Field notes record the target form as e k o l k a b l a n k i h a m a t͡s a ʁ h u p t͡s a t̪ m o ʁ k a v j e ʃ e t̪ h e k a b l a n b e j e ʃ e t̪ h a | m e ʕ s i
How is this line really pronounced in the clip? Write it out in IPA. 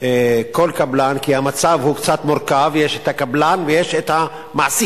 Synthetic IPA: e k o l k a b l a n k i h a m a t͡s a v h u k t͡s a t̪ m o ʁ k a v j e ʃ e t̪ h a k a b l a n v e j e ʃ e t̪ h a | m a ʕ s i